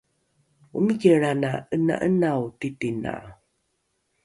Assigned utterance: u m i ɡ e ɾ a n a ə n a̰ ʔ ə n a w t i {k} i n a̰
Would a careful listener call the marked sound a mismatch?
yes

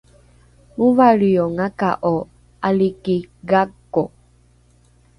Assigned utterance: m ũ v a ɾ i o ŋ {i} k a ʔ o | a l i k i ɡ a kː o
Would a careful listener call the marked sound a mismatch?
yes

